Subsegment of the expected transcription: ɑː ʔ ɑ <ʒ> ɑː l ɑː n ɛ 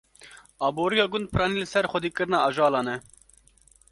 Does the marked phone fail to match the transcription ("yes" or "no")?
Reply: no